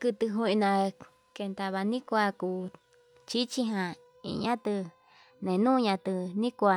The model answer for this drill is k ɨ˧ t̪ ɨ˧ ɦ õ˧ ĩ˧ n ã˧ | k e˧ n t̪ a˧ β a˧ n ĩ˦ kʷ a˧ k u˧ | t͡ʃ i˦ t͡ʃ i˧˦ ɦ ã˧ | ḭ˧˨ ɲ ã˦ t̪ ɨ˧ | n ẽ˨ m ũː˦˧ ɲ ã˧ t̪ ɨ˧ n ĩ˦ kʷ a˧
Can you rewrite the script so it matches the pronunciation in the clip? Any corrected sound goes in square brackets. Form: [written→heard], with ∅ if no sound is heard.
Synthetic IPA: k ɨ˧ t̪ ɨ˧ ɦ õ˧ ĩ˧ n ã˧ | k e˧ n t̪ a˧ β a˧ n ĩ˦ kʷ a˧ k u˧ | t͡ʃ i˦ t͡ʃ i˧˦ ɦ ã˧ | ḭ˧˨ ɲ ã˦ t̪ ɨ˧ | n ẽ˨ [m→n] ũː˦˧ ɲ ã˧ t̪ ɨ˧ n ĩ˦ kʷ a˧